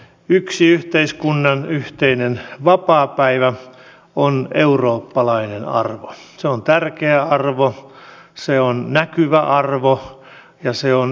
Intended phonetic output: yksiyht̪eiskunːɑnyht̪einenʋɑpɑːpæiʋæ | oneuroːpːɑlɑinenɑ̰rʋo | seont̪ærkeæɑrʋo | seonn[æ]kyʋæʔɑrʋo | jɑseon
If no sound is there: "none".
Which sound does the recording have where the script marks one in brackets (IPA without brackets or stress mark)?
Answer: æ